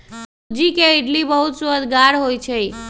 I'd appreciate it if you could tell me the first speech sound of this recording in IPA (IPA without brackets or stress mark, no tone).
d͡ʒ